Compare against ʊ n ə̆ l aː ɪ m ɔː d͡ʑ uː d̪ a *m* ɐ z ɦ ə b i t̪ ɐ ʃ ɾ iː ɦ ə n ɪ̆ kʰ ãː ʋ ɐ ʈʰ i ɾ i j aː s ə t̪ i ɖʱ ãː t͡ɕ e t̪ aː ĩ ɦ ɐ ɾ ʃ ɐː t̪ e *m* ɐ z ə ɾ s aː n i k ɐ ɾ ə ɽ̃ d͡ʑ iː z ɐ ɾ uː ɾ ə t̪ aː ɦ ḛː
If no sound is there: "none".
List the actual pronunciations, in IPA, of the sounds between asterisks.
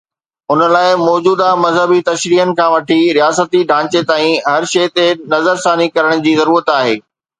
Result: m, n

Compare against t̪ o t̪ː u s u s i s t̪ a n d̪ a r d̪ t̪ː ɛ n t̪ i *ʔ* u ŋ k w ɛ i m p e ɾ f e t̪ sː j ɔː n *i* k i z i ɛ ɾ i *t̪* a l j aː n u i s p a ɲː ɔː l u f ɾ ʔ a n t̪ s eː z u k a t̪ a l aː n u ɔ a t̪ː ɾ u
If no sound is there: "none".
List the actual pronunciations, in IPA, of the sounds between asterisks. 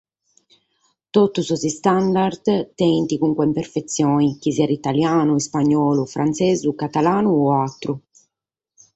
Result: k, i, t̪

